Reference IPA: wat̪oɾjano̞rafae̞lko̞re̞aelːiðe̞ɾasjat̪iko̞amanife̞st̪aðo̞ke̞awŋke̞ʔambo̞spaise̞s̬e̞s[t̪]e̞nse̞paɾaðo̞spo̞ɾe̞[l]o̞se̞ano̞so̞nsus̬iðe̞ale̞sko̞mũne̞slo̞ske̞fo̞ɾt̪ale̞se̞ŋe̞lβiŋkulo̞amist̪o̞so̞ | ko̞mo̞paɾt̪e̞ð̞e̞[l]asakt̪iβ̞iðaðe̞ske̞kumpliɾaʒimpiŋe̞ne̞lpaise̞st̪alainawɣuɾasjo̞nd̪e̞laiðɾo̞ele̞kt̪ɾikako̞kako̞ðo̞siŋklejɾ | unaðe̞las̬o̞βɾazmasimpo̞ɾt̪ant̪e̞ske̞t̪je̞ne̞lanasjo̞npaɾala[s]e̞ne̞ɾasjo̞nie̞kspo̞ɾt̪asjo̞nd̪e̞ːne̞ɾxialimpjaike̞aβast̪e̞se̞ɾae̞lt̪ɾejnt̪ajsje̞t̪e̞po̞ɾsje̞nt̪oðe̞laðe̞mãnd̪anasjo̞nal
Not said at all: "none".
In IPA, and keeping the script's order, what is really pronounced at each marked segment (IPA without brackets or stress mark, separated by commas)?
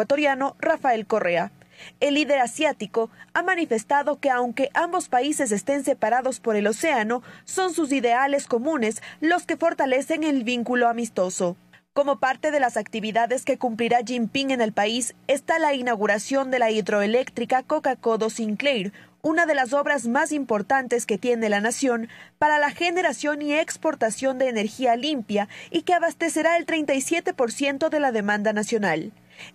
t̪, l, l, x